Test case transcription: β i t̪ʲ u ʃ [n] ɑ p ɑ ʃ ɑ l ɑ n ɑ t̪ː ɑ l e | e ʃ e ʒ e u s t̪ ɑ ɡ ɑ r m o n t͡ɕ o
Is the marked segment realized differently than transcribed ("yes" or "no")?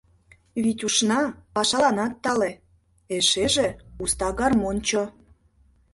no